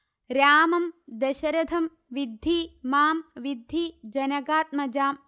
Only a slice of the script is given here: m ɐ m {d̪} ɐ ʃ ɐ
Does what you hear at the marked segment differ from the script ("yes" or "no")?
no